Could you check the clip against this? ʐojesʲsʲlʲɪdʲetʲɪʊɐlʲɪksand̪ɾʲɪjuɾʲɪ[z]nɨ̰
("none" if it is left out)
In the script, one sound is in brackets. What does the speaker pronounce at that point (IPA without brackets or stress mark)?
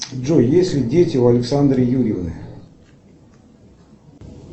v